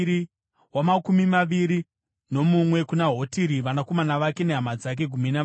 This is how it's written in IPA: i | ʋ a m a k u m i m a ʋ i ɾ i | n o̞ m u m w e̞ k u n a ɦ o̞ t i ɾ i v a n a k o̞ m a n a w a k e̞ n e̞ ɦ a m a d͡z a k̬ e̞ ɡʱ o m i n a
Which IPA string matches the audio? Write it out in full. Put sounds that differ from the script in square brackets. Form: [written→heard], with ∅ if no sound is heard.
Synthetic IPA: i | [ʋ→w] a m a k u m i m a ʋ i ɾ i | n o̞ m u m w e̞ k u n a ɦ o̞ t i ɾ i [v→ʋ] a n a k o̞ m a n a [w→ʋ] a k e̞ n e̞ ɦ a m a d͡z a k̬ e̞ ɡʱ [o→u] m i n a